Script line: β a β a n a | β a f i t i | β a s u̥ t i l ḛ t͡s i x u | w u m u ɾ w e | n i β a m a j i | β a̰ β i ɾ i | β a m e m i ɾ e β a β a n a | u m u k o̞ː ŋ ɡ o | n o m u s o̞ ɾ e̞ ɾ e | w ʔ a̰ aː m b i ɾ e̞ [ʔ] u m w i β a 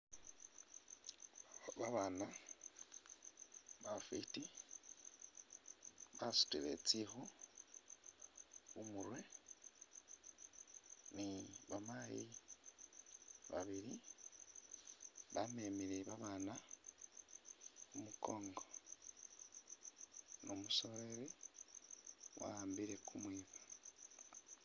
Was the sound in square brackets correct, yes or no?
no